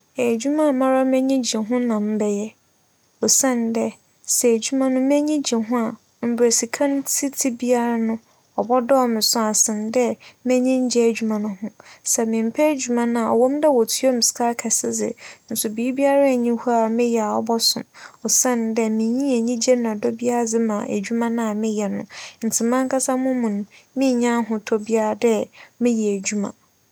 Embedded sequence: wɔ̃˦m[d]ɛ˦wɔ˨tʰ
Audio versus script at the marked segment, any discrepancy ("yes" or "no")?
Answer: no